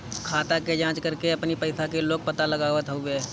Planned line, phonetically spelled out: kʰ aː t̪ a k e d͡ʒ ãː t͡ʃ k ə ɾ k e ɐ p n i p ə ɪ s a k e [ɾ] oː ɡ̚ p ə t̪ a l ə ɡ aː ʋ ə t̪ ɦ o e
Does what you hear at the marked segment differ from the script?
yes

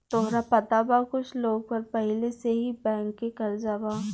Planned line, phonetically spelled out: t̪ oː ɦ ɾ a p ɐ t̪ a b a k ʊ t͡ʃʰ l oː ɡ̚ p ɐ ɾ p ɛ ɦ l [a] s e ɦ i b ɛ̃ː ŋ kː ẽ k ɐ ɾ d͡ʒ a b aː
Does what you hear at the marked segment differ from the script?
yes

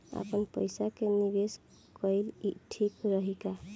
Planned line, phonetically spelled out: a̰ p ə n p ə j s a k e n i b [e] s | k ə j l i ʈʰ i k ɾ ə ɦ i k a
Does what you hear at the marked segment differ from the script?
no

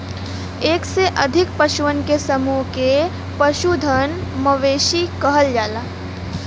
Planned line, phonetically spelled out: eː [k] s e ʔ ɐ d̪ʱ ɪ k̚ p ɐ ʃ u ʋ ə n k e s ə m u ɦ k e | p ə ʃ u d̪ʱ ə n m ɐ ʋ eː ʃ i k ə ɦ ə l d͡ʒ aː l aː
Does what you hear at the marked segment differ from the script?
no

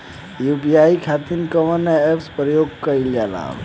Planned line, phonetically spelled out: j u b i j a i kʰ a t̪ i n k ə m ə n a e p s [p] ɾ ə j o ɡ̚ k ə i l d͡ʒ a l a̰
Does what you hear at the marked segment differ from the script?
no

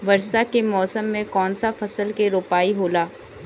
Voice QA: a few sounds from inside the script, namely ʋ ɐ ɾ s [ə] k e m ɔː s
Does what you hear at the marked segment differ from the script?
yes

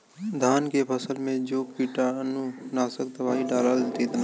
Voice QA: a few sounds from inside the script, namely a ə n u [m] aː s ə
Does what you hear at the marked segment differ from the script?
yes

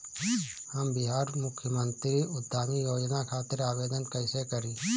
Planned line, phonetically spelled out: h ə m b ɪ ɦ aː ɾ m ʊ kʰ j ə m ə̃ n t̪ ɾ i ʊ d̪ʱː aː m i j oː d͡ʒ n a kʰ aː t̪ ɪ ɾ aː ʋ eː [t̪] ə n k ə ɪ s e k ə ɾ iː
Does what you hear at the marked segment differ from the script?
yes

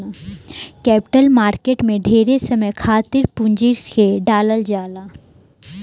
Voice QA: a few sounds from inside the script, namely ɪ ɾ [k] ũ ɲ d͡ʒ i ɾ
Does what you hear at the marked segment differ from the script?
yes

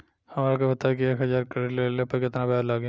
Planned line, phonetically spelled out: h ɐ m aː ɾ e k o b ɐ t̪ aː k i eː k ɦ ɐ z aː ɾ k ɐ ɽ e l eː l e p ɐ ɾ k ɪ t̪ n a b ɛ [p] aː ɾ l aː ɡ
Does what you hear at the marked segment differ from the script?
yes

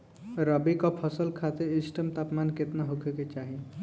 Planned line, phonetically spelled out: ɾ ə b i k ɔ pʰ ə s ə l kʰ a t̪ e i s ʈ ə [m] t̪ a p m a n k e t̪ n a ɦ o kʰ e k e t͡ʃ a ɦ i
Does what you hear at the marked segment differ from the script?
no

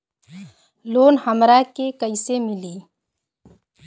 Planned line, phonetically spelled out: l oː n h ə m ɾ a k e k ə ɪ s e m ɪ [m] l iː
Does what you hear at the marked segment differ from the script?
yes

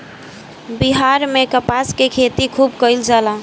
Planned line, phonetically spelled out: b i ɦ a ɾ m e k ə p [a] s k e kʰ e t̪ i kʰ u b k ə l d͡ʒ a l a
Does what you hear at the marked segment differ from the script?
no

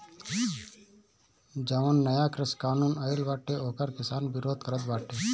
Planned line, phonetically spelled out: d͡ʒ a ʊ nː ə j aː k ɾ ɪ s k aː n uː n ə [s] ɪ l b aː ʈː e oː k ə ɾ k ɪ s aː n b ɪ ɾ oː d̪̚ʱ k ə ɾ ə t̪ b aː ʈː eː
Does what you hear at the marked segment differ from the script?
yes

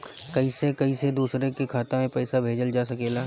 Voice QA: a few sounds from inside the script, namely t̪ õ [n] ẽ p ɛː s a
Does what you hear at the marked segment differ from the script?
yes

